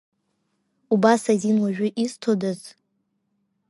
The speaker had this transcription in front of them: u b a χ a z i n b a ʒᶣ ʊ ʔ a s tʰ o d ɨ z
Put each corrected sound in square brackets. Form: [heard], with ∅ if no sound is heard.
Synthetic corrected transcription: u b a [s] a z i n [w] a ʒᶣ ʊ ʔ [i] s tʰ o d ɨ z